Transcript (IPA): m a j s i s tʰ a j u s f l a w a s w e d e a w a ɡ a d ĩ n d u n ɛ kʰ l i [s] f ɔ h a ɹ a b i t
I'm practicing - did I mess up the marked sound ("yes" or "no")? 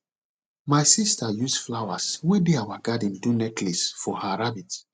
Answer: no